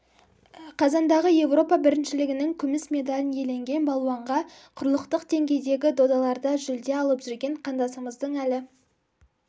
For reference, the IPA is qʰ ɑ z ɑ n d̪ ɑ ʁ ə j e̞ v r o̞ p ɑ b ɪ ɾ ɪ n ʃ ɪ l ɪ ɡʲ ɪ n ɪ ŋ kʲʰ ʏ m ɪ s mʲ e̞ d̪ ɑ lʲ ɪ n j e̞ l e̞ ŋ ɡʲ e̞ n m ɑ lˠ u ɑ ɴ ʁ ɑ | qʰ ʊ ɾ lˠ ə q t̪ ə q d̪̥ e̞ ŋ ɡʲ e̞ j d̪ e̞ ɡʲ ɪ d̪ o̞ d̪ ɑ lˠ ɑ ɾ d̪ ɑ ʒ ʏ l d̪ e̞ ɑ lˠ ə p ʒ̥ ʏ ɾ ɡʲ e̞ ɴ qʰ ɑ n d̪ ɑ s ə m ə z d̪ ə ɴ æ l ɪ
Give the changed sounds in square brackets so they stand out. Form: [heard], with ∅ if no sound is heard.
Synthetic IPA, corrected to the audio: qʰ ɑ z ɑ n d̪ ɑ ʁ ə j e̞ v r o̞ p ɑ b ɪ ɾ ɪ n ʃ ɪ l ɪ ɡʲ ɪ n ɪ ŋ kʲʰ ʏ m ɪ s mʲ e̞ d̪ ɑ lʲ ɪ n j e̞ l e̞ ŋ ɡʲ e̞ n [b] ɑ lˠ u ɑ ɴ ʁ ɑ | qʰ ʊ ɾ lˠ ə q t̪ ə q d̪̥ e̞ ŋ ɡʲ e̞ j d̪ e̞ ɡʲ ɪ d̪ o̞ d̪ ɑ lˠ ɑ ɾ d̪ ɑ ʒ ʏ l d̪ e̞ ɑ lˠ ə p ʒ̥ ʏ ɾ ɡʲ e̞ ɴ qʰ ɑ n d̪ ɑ s ə m ə z d̪ ə ɴ æ l ɪ

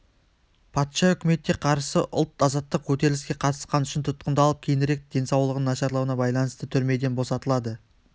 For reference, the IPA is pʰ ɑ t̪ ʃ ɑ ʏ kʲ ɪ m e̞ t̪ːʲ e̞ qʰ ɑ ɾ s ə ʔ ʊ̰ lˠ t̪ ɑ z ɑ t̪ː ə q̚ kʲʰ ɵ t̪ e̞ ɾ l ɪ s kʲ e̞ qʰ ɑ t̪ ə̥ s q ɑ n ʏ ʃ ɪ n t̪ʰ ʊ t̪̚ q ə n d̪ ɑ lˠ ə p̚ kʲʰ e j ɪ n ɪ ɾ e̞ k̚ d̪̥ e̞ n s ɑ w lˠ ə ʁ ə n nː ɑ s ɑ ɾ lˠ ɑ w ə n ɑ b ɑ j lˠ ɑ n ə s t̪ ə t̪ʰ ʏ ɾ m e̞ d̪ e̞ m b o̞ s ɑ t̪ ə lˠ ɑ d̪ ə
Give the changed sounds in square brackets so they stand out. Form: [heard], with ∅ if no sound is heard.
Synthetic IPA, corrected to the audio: pʰ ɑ t̪ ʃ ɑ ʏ kʲ ɪ m e̞ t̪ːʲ e̞ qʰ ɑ ɾ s ə ʔ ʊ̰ lˠ t̪ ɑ z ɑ t̪ː ə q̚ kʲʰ ɵ t̪ e̞ ɾ l ɪ s kʲ e̞ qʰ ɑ t̪ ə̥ s q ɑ n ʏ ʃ ɪ n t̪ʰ ʊ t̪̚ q ə n d̪ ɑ lˠ ə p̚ kʲʰ e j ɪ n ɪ ɾ e̞ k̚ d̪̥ e̞ n s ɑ w lˠ ə ʁ ə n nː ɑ [ʃ] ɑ ɾ lˠ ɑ w ə n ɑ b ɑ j lˠ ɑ n ə s t̪ ə t̪ʰ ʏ ɾ m e̞ d̪ e̞ [n] b o̞ s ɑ t̪ ə lˠ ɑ d̪ ə

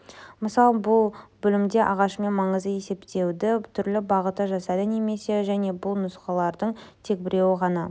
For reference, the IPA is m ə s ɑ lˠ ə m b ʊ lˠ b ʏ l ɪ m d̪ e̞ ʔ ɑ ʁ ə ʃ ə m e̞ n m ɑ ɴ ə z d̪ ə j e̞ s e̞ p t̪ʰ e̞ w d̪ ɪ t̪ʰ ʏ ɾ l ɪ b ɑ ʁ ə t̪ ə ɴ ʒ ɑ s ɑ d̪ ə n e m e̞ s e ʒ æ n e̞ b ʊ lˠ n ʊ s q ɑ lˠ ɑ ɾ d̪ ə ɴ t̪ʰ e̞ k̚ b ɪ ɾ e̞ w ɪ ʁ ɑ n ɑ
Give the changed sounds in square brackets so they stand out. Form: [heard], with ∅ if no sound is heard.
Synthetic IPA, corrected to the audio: m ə s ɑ lˠ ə [∅] b ʊ lˠ b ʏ l ɪ m d̪ e̞ ʔ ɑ ʁ [ɑ] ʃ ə m e̞ n m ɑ ɴ ə z d̪ ə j e̞ s e̞ p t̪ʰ e̞ w d̪ ɪ t̪ʰ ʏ ɾ l ɪ b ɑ ʁ ə t̪ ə [∅] ʒ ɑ s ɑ d̪ ə n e m e̞ s e ʒ æ n e̞ b ʊ lˠ n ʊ s q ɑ lˠ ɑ ɾ d̪ ə ɴ t̪ʰ e̞ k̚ b ɪ ɾ e̞ w ɪ ʁ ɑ n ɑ

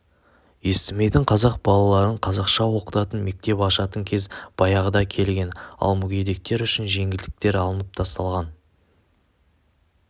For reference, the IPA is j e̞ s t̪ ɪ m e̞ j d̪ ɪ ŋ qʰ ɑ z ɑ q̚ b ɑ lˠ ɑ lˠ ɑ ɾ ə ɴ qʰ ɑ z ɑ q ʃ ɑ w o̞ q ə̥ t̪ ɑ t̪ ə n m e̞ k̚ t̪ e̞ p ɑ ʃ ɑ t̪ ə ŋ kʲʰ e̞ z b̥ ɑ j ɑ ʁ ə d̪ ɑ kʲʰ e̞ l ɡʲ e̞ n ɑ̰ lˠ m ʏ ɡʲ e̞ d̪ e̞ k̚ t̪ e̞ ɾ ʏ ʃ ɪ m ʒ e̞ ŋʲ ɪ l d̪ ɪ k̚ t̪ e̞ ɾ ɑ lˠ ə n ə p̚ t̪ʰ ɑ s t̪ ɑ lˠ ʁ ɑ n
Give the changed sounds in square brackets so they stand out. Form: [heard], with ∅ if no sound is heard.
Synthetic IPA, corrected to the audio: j e̞ s t̪ ɪ m e̞ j d̪ ɪ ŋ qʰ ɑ z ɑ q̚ b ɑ lˠ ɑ lˠ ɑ ɾ ə ɴ qʰ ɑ z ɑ q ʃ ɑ w o̞ q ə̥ t̪ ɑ t̪ ə n m e̞ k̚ t̪ e̞ p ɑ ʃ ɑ t̪ ə ŋ kʲʰ e̞ z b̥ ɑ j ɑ ʁ ə d̪ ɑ kʲʰ e̞ l ɡʲ e̞ n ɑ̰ lˠ m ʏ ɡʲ e̞ d̪ e̞ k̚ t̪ e̞ ɾ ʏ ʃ ɪ [n] ʒ e̞ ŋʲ ɪ l d̪ ɪ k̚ t̪ e̞ ɾ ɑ lˠ ə n ə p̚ t̪ʰ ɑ s t̪ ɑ lˠ ʁ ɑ n

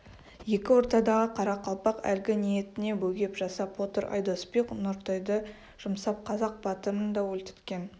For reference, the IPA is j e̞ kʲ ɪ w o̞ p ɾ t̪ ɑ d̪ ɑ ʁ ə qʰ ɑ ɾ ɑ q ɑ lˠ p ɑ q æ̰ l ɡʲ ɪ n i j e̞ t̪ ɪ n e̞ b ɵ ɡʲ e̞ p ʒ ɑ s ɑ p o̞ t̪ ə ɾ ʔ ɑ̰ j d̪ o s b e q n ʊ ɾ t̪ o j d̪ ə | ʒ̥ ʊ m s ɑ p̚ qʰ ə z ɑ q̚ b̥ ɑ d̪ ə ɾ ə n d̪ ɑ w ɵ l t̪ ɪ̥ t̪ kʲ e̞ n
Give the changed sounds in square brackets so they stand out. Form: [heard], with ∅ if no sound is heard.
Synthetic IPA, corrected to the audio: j e̞ kʲ ɪ w o̞ [∅] ɾ t̪ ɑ d̪ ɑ ʁ ə qʰ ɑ ɾ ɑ q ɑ lˠ p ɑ q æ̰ l ɡʲ ɪ n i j e̞ t̪ ɪ n e̞ b ɵ ɡʲ e̞ p ʒ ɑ s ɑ p o̞ t̪ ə ɾ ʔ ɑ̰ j d̪ o s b e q n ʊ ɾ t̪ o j d̪ ə | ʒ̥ ʊ m s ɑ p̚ qʰ [ɑ] z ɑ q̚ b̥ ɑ [t̪] ə ɾ ə n d̪ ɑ w ɵ l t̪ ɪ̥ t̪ kʲ e̞ n

